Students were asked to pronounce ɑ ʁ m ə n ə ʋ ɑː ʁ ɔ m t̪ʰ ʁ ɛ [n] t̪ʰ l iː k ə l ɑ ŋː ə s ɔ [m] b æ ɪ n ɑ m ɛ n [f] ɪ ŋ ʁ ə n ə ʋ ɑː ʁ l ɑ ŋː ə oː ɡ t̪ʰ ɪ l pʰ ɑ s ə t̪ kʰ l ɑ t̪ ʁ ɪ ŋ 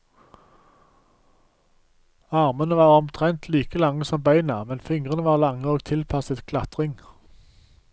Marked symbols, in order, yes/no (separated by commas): yes, yes, yes